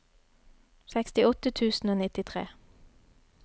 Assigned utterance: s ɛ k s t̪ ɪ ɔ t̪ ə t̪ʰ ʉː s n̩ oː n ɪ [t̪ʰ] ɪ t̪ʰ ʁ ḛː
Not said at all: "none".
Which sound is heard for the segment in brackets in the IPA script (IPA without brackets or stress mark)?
t̪